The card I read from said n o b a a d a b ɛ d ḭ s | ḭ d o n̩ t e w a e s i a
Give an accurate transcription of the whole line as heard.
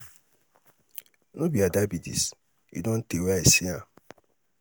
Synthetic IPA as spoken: n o b i a d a b i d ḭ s | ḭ d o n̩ t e w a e s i a